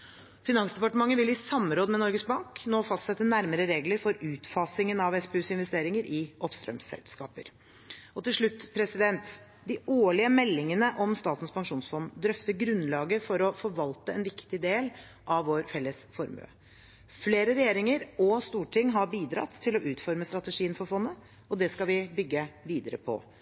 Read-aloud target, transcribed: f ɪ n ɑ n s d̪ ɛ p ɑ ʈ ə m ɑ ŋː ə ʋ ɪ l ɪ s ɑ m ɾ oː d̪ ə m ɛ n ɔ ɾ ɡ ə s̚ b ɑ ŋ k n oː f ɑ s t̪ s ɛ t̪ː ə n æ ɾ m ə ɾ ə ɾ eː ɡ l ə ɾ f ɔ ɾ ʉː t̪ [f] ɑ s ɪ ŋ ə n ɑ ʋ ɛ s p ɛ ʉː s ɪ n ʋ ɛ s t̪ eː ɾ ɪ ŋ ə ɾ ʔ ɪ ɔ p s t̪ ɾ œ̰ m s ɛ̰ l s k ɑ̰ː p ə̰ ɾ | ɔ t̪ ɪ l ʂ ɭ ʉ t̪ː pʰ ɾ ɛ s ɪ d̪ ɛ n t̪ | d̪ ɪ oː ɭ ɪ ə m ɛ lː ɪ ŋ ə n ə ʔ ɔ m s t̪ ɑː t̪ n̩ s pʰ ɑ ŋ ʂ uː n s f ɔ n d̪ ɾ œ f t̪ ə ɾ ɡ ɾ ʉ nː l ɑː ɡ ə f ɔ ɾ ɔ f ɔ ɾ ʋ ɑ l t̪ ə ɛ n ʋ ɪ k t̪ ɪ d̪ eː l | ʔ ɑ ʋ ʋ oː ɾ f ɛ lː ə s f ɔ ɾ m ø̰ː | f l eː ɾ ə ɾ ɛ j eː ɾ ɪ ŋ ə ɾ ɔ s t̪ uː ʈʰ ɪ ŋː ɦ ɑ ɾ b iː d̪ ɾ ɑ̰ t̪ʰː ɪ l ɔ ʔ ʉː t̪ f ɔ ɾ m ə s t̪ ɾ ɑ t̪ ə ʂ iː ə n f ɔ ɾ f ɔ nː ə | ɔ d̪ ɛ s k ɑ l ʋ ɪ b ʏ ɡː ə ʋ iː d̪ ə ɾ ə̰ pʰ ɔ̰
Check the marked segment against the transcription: correct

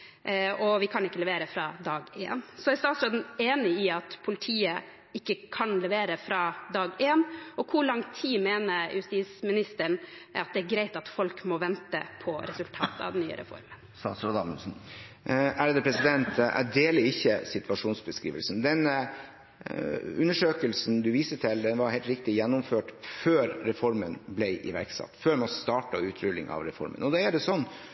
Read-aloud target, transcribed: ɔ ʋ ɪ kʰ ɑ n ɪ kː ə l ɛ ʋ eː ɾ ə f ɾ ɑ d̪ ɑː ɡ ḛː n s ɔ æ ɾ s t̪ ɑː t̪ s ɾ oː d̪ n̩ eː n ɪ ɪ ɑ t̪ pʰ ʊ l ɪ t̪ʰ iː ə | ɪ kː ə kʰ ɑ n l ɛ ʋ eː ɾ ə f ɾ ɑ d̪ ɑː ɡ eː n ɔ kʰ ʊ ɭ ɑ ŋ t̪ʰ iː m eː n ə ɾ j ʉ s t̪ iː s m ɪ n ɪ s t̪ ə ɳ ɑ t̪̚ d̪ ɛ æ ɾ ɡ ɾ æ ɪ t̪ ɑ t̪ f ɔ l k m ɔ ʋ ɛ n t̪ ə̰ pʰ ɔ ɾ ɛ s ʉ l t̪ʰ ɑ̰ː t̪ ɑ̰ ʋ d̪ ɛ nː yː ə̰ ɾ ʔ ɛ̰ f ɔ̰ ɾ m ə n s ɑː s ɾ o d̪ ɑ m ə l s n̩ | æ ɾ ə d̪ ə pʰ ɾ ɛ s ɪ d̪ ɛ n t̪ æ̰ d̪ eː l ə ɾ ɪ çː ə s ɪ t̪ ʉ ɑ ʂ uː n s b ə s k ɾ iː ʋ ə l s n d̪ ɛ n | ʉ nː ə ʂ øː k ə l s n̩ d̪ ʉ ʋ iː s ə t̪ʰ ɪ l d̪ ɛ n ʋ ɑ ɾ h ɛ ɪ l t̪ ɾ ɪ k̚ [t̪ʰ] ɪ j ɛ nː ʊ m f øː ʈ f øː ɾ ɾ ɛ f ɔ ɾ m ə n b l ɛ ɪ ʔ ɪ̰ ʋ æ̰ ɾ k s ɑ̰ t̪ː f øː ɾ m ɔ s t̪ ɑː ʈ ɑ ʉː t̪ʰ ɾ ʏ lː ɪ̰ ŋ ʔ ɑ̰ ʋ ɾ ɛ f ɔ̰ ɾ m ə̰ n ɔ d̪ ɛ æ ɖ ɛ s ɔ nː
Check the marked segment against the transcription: incorrect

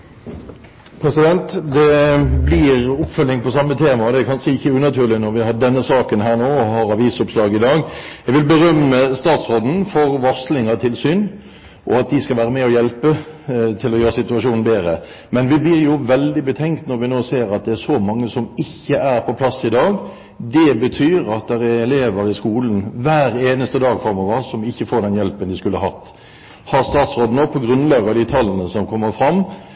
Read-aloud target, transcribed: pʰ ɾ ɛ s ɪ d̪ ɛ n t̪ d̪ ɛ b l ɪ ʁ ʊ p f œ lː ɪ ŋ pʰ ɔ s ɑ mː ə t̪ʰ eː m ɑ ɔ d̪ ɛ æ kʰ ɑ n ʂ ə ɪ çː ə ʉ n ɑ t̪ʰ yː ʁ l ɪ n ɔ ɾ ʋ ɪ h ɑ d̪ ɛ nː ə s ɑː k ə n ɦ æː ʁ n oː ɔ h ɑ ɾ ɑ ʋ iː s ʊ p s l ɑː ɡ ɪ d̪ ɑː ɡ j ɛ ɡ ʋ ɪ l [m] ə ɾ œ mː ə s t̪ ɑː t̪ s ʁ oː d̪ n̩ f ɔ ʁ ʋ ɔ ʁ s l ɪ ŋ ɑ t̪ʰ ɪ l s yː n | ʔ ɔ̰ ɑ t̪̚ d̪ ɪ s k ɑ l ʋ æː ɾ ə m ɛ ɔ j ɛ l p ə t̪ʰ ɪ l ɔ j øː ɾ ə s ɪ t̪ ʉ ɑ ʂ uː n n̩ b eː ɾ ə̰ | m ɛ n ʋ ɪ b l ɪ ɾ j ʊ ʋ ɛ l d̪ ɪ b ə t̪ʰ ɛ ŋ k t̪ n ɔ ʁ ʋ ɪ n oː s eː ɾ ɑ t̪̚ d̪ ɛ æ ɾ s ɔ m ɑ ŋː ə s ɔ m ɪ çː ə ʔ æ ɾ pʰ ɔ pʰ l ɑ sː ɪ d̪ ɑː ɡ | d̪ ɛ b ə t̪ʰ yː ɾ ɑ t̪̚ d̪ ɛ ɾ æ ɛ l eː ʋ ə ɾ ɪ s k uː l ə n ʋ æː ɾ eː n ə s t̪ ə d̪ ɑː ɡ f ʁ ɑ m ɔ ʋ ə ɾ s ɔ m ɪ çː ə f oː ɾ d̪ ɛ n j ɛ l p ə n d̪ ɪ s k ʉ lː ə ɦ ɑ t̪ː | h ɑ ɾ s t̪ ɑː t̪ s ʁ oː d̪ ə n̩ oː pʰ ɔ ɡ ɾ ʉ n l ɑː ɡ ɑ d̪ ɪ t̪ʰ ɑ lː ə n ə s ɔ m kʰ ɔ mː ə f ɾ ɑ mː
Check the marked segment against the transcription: incorrect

